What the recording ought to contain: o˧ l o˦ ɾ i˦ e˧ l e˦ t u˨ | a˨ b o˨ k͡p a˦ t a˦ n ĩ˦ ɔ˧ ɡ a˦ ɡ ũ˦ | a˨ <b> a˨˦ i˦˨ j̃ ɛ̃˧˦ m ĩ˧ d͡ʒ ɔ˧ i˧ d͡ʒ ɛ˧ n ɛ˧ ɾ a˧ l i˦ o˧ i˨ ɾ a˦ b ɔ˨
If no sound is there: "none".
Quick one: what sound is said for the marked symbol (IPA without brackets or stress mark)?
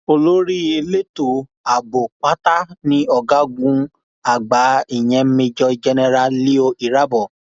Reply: ɡ͡b